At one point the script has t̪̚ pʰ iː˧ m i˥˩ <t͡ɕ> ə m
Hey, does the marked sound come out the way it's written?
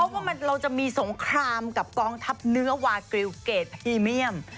no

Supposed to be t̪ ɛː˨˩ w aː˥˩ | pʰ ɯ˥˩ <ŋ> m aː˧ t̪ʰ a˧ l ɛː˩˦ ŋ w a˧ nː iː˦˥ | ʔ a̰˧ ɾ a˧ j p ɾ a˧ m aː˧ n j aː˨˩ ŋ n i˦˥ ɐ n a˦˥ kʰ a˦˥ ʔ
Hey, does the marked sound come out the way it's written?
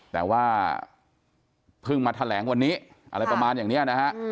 yes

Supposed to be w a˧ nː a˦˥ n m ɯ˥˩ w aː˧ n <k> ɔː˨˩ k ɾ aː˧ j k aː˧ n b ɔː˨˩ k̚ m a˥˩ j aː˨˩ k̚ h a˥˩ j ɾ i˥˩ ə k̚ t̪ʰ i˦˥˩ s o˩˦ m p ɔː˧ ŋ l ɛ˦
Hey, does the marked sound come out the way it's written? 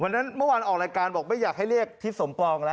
no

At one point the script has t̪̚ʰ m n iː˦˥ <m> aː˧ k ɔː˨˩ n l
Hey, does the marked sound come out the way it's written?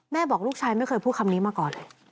yes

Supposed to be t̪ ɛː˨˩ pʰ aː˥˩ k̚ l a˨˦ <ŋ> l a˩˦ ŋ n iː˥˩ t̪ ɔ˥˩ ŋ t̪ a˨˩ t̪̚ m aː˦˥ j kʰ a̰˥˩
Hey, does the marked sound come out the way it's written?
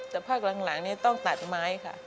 yes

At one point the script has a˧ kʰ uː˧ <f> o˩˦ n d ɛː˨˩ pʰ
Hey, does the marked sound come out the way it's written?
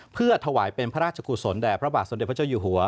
no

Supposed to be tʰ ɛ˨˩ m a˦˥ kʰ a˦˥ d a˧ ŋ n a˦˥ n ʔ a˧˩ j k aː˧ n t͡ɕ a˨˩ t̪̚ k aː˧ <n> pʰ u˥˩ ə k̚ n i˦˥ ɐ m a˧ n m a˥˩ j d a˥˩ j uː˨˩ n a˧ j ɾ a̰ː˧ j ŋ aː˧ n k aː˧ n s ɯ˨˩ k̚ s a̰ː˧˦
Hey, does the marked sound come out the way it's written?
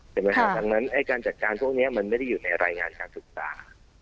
yes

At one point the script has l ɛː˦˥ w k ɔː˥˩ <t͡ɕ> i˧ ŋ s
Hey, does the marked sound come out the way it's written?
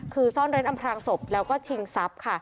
no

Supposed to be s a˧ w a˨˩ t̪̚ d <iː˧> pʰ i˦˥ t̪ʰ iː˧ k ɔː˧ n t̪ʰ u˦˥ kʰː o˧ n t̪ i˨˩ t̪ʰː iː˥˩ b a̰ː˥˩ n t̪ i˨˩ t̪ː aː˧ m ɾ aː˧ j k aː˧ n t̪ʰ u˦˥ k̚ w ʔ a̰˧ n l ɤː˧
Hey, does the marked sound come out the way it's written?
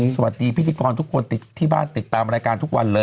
yes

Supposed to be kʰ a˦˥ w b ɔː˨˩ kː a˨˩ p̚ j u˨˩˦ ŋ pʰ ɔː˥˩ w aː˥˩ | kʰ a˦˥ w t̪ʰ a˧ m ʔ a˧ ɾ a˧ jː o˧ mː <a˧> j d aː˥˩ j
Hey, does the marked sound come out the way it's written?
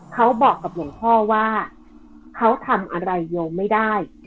no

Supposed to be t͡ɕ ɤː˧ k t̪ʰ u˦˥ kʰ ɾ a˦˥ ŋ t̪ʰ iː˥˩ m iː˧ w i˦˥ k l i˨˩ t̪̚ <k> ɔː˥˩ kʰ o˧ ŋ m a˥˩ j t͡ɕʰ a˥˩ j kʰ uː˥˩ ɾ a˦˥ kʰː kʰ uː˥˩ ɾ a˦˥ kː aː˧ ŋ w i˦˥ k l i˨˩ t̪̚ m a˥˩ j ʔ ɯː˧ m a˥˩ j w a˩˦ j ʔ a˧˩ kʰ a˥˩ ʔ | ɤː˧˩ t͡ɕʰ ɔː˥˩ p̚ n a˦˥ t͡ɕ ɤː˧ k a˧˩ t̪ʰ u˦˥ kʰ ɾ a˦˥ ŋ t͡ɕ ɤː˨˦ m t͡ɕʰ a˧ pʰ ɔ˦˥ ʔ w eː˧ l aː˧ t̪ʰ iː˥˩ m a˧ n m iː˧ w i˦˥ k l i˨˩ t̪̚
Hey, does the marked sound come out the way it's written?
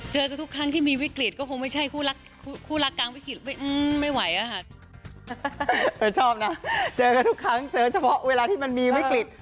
yes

